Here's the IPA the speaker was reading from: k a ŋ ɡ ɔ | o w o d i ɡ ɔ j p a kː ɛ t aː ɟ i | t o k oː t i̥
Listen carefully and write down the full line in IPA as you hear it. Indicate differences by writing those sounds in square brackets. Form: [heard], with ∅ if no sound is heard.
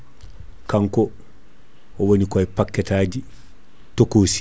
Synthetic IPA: k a ŋ [k] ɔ | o w o [n] i [k] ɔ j p a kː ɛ t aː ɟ i | t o k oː [s] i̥

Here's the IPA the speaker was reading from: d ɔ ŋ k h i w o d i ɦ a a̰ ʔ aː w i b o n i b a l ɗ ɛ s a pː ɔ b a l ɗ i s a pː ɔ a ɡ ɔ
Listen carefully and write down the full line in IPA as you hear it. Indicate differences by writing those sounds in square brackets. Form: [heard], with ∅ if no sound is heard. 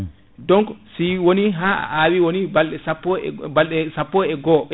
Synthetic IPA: d ɔ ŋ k [s] i w o [n] i ɦ a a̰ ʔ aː w i [w] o n i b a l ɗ ɛ s a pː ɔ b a l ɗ [ɛ] s a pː ɔ [ɛ] ɡ ɔ

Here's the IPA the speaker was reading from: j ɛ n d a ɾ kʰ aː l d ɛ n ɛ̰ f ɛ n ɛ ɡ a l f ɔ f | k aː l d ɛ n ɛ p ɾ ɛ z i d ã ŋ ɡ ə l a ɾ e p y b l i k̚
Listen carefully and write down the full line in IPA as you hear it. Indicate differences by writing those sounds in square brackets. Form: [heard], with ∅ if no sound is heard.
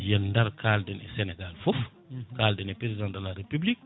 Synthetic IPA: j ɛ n d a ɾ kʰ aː l d ɛ n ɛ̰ [s] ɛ n ɛ ɡ a l f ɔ f | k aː l d ɛ n ɛ p ɾ [e] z i d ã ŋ [d] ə l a ɾ e p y b l i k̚

